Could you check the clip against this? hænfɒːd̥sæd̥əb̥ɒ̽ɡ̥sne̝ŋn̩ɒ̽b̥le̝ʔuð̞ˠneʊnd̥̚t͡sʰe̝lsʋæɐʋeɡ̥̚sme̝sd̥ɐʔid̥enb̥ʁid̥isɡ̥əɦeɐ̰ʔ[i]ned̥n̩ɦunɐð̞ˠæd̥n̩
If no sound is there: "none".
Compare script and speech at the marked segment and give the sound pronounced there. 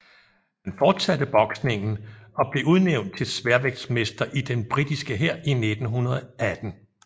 i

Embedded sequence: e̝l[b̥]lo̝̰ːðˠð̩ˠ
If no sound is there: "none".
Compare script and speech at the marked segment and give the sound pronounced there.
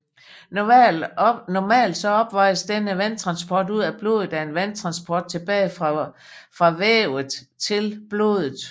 b̥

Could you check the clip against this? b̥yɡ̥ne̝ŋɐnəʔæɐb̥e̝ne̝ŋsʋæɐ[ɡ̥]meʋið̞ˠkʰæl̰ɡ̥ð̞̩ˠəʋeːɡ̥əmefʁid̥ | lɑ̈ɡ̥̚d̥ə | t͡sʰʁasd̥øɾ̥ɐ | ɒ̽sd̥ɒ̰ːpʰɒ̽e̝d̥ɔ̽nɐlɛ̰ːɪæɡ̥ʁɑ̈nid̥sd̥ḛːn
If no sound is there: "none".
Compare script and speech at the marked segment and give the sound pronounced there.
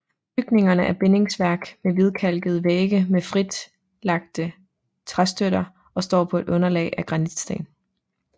ɡ̥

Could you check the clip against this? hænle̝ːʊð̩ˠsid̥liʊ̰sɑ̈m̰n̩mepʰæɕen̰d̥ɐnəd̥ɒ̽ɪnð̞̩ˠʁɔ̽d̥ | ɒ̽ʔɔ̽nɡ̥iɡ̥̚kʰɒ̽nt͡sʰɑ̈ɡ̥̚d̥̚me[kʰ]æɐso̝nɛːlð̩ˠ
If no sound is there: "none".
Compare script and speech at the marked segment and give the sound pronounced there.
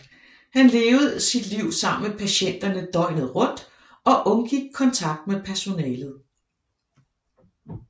pʰ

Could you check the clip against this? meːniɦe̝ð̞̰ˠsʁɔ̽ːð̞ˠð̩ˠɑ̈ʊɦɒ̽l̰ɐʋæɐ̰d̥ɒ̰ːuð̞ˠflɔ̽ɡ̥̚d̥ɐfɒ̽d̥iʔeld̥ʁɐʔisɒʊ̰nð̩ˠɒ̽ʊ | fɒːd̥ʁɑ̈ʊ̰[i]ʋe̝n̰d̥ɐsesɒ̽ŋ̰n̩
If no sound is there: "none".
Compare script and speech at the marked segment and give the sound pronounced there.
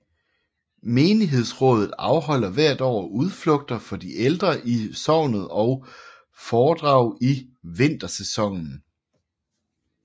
i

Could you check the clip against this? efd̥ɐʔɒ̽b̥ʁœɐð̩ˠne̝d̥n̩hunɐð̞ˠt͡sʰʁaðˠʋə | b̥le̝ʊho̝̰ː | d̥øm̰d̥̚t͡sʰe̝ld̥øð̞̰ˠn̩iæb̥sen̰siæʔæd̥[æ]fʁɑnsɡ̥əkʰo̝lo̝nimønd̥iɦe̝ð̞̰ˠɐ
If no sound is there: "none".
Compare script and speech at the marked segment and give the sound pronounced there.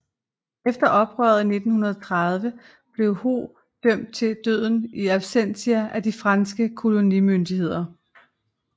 i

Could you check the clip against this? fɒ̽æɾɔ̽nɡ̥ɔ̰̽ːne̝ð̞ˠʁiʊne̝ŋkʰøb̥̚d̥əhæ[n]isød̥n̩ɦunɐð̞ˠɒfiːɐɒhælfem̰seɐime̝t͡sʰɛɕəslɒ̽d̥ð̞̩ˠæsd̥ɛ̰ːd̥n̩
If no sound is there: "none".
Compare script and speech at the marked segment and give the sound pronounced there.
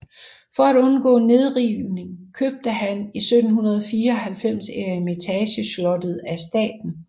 n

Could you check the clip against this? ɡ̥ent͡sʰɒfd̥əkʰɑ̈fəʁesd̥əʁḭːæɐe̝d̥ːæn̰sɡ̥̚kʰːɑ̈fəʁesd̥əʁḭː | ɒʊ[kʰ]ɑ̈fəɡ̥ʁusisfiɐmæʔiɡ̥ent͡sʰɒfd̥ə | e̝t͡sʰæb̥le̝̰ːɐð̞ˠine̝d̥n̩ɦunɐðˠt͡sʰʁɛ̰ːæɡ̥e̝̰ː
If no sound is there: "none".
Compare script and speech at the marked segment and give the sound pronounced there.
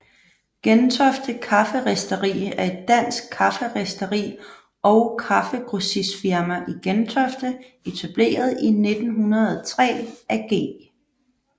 kʰ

